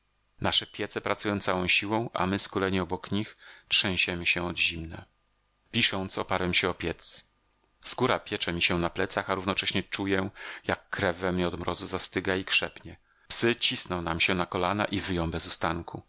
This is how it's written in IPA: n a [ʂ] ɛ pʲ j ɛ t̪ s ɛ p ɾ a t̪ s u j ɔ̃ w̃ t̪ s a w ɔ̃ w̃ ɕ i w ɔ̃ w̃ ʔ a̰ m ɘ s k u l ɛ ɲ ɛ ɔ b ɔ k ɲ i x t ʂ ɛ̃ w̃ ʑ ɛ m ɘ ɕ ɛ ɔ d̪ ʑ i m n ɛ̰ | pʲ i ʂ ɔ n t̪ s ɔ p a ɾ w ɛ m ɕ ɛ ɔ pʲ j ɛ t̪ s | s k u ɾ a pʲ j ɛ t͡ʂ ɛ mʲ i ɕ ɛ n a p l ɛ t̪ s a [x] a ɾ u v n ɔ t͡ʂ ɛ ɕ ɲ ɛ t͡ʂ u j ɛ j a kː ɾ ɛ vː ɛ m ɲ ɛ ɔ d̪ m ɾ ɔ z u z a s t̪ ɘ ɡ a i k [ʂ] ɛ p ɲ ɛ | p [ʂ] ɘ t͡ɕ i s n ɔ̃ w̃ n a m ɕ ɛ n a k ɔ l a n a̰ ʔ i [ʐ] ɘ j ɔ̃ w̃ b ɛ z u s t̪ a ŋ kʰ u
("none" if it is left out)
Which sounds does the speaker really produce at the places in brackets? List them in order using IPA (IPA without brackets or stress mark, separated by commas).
ʂ, x, ʂ, s, v